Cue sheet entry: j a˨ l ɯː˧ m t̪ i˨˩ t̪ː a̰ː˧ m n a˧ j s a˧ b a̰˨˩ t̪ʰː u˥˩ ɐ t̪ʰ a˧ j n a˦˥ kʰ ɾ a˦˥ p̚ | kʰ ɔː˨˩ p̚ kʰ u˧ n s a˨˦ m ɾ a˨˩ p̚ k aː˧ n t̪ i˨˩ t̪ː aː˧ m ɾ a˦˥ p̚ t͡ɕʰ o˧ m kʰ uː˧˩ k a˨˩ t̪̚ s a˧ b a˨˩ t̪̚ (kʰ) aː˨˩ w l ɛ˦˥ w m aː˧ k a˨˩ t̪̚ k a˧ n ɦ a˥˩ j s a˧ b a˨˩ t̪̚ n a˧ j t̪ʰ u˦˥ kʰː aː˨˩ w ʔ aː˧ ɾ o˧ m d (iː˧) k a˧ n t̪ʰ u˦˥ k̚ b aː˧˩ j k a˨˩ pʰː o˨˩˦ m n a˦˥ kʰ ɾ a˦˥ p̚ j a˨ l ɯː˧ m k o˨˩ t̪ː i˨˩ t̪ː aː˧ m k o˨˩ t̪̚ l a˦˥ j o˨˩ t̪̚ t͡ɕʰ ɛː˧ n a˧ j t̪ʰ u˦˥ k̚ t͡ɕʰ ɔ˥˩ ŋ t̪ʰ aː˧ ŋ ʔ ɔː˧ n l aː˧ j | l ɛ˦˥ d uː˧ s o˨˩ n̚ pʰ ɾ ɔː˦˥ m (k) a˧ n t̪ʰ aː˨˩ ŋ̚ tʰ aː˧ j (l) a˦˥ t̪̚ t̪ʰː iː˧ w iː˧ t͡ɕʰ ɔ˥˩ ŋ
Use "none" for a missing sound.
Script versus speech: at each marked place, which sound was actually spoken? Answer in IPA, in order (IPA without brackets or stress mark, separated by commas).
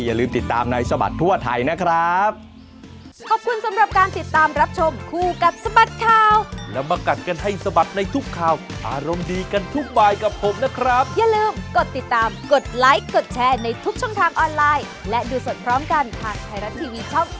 kʰ, iː˧, k, ɾ